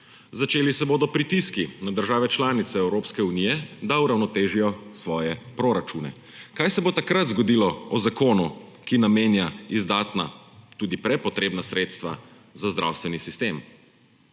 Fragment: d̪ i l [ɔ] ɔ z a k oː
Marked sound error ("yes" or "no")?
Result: no